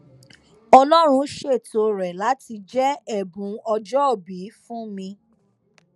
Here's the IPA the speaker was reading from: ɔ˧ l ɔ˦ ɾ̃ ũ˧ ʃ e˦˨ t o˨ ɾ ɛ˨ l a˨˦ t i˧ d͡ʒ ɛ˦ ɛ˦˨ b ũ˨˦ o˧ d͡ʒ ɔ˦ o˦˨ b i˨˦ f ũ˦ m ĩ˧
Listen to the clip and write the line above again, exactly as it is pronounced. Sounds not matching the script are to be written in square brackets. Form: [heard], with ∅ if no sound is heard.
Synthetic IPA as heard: ɔ˧ l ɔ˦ ɾ̃ ũ˧ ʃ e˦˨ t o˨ ɾ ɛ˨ l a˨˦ t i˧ d͡ʒ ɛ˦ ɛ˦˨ b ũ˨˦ [ɔ˧] d͡ʒ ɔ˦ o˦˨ b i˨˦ f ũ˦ m ĩ˧